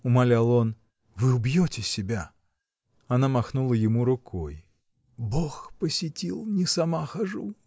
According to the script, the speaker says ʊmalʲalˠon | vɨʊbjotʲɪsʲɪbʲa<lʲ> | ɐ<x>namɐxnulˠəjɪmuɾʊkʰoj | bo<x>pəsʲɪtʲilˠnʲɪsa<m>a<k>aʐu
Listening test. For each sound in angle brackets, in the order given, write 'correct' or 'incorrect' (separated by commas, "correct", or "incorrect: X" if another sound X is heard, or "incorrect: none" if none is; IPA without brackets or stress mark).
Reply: incorrect: none, incorrect: none, correct, correct, incorrect: x